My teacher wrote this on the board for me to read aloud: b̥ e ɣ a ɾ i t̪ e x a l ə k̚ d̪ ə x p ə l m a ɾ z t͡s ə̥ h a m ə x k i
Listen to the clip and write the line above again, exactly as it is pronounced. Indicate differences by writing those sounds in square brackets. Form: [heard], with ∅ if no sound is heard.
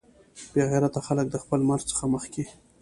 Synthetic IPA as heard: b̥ e ɣ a ɾ [a] t̪ [a] x a l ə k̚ d̪ ə x p ə l m a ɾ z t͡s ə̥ [x] a m ə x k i